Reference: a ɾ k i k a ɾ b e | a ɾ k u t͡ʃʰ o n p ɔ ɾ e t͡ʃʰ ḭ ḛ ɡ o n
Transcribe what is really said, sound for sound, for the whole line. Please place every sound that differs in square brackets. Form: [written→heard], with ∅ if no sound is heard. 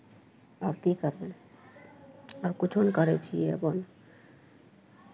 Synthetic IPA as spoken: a ɾ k i k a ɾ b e | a ɾ k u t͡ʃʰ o n [p→k] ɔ ɾ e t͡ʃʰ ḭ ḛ [ɡ→b] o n